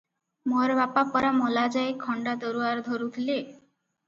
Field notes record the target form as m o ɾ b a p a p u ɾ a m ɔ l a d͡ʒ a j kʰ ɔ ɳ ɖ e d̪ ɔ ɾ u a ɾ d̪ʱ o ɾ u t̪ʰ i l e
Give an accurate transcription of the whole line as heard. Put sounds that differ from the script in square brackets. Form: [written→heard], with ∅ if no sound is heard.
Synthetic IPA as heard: m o ɾ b a p a p [u→ɔ] ɾ a m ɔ l a d͡ʒ a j kʰ ɔ ɳ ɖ [e→a] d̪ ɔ ɾ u a ɾ d̪ʱ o ɾ u t̪ʰ i l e

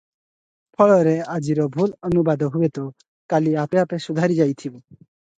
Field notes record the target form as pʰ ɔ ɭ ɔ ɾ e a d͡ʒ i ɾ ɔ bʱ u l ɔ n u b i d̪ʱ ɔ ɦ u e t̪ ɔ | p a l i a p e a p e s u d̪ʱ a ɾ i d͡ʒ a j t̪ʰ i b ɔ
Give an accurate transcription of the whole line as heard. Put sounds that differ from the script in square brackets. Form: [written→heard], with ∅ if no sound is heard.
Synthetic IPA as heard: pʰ ɔ ɭ ɔ ɾ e a d͡ʒ i ɾ ɔ bʱ u l ɔ n u b [i→a] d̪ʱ ɔ ɦ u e t̪ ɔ | [p→k] a l i a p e a p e s u d̪ʱ a ɾ i d͡ʒ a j t̪ʰ i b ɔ

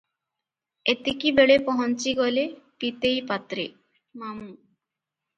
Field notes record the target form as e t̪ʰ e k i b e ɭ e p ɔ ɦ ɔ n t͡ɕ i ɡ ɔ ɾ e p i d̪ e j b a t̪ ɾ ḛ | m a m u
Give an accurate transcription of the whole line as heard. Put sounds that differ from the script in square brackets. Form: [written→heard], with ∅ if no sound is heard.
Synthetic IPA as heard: e [t̪ʰ→t̪] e k i b e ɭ e p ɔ ɦ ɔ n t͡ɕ i ɡ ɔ [ɾ→l] e p i [d̪→t̪] e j [b→p] a t̪ ɾ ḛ | m a m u

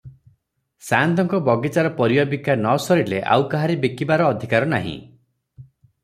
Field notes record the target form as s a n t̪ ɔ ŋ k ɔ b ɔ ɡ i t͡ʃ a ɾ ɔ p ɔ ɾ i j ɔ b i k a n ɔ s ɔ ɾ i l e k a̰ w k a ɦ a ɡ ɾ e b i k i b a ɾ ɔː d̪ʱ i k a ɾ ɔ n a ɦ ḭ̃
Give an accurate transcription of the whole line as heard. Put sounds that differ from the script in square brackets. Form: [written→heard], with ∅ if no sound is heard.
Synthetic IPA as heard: s a n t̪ ɔ ŋ k ɔ b ɔ ɡ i t͡ʃ a ɾ ɔ p ɔ ɾ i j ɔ b i k a n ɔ s ɔ ɾ i l e [k→ʔ] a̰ w k a ɦ a [ɡ→∅] ɾ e b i k i b a ɾ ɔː d̪ʱ i k a ɾ ɔ n a ɦ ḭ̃

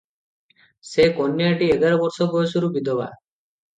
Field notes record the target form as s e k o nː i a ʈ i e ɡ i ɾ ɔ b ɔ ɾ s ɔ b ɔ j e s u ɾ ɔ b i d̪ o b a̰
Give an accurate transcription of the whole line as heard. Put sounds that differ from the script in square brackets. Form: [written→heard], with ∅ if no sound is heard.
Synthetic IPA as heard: s e k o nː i a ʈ i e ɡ [i→a] ɾ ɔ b ɔ ɾ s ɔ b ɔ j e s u ɾ [ɔ→u] b i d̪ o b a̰

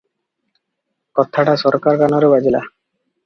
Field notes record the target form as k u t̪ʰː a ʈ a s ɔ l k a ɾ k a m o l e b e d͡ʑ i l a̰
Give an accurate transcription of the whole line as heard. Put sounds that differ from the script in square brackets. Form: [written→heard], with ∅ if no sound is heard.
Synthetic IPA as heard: k [u→ɔ] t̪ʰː a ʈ a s ɔ [l→ɾ] k a ɾ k a [m→n] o [l→ɾ] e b [e→a] d͡ʑ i l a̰

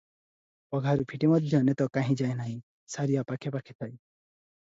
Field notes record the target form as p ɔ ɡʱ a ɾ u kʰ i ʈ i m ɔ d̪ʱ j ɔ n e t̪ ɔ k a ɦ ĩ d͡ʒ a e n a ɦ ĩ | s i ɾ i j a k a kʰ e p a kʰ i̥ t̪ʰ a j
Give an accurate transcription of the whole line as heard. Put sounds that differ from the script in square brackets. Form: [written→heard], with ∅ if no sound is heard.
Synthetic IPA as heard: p ɔ ɡʱ a ɾ u [kʰ→pʰ] i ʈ i m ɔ d̪ʱ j ɔ n e t̪ ɔ k a ɦ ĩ d͡ʒ a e n a ɦ ĩ | s [i→a] ɾ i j a [k→p] a kʰ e p a kʰ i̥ t̪ʰ a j

